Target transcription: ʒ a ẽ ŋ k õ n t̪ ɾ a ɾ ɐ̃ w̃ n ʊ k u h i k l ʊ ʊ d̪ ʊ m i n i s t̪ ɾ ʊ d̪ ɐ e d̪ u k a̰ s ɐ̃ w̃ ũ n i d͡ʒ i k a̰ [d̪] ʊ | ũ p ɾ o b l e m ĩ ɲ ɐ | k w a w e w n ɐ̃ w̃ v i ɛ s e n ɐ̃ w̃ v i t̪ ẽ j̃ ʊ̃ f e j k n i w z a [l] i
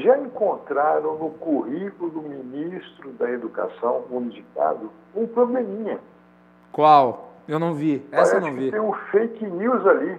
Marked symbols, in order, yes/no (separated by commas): yes, yes